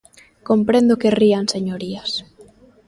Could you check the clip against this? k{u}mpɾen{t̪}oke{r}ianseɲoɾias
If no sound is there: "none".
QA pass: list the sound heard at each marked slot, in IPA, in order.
o, d̪, r

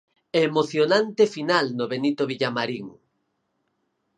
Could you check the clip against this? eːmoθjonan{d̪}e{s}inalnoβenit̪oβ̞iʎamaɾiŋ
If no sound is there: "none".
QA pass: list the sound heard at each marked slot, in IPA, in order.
t̪, f

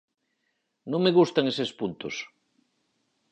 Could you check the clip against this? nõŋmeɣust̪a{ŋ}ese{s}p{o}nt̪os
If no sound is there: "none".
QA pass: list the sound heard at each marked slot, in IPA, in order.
ŋ, s, u

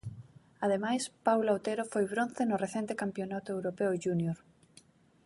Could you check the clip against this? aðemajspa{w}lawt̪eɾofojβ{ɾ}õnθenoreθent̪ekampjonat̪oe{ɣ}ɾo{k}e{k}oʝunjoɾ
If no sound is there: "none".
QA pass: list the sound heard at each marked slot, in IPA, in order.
w, ɾ, w, p, none

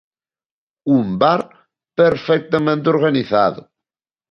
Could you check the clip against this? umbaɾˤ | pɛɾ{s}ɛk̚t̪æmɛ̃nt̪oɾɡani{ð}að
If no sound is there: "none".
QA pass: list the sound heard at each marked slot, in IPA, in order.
f, θ

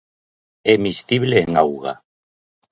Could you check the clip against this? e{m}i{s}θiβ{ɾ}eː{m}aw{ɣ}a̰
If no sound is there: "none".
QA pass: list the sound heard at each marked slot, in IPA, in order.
m, s, l, ŋ, ɣ

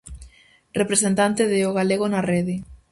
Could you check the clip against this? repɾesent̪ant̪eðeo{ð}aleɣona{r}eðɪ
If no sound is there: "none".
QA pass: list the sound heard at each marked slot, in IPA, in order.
ɣ, r

